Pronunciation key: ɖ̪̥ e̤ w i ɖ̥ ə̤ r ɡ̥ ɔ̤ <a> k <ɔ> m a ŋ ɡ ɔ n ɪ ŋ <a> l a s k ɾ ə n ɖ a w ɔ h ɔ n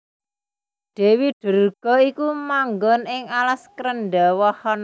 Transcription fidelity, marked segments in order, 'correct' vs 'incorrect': incorrect, incorrect, correct

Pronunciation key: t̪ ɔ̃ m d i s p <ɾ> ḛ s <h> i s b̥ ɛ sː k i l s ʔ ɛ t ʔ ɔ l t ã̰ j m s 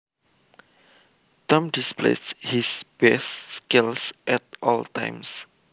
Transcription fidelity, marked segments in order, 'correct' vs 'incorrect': incorrect, correct

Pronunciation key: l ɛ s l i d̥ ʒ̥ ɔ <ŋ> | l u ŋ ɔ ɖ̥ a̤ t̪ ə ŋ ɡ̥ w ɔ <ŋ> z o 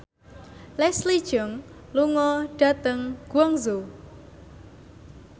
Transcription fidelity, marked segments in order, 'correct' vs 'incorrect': correct, correct

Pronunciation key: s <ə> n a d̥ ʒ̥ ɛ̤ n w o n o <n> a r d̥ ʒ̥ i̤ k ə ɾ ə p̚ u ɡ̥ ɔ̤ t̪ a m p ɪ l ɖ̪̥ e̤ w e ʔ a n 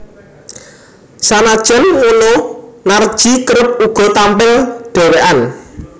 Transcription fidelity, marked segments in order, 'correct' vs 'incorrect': incorrect, correct

